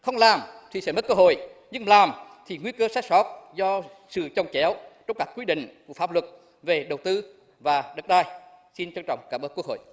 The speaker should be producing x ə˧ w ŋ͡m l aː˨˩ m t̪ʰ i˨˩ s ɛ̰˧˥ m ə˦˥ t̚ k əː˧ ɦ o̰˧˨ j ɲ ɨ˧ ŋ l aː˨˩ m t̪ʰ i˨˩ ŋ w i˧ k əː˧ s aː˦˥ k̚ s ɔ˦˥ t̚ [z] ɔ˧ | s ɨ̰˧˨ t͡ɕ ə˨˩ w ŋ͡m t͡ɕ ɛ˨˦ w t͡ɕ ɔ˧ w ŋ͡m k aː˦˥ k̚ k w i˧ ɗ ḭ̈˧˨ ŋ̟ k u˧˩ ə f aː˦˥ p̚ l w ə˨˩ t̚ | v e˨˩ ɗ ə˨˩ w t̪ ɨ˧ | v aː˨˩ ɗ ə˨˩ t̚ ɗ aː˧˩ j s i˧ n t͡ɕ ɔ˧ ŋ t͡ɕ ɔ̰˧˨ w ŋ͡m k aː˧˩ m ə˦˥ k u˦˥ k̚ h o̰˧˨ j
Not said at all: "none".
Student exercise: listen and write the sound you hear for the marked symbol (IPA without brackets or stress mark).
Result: z